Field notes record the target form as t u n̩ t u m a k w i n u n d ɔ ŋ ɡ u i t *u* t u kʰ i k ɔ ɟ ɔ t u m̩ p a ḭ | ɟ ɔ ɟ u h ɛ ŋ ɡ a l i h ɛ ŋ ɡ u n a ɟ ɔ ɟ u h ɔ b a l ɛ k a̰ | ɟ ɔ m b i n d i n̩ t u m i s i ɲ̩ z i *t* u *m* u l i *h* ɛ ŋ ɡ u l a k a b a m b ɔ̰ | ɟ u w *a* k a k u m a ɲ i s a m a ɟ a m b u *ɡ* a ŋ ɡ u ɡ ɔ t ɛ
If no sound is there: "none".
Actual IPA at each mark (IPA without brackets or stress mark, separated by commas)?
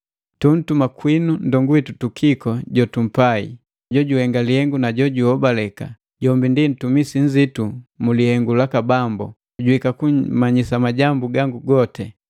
u, t, m, h, i, ɡ